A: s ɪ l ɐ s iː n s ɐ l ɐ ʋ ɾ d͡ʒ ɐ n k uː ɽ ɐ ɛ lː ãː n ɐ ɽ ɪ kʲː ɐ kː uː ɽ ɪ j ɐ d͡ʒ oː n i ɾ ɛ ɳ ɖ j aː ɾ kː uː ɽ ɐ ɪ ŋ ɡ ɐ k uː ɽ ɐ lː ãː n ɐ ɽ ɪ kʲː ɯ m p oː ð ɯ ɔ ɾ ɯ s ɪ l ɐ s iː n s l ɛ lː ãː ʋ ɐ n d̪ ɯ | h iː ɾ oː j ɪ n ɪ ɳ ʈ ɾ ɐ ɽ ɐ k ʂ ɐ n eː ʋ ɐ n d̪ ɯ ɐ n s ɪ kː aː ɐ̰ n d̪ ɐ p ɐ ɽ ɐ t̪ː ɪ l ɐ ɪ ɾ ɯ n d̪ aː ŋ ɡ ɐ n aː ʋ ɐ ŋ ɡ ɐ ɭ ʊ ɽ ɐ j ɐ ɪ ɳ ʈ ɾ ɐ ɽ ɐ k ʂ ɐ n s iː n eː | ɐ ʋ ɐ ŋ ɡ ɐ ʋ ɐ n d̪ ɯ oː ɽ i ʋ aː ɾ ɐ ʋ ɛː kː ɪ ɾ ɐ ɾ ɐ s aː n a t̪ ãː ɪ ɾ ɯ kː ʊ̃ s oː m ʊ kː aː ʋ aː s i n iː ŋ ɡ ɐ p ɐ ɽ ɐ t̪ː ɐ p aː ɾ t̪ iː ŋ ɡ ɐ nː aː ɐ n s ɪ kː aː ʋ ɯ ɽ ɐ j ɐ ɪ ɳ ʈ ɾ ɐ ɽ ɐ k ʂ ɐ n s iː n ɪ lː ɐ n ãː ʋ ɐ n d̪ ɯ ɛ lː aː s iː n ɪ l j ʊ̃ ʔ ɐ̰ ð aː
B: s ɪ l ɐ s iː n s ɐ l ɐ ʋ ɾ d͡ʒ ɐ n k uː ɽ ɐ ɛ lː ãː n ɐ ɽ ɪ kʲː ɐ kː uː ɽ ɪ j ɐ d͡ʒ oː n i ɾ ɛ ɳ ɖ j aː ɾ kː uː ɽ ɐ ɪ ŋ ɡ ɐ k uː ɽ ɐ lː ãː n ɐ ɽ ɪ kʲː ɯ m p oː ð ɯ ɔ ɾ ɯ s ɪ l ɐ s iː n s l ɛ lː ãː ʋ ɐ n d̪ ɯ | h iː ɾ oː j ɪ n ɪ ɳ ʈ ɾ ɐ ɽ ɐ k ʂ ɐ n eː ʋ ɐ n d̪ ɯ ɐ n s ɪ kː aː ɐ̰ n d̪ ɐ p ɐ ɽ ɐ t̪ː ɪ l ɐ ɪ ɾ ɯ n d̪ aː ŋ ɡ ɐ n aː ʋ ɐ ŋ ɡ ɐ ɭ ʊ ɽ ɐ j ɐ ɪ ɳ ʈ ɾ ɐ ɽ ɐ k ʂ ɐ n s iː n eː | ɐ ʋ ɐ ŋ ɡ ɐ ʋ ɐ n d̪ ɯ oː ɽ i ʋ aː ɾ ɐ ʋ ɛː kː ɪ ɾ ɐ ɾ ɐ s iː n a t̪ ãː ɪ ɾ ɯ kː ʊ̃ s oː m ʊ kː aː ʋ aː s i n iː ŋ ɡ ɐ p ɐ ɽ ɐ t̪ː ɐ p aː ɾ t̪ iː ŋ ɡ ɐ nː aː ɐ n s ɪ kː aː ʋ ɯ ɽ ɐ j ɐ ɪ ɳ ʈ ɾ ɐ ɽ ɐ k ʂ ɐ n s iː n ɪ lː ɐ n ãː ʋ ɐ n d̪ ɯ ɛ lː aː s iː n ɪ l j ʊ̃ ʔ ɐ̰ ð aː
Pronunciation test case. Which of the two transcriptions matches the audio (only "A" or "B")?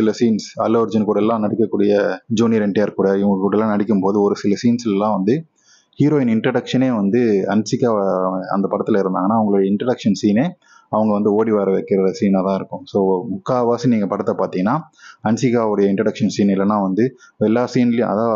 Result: B